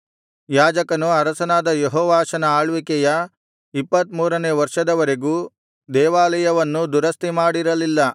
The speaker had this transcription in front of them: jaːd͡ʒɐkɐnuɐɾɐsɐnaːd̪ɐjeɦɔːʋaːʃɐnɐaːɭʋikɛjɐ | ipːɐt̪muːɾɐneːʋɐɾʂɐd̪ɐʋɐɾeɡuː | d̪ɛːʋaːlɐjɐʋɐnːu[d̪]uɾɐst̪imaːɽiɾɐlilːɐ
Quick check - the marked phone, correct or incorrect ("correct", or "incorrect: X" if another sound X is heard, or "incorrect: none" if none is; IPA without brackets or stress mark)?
correct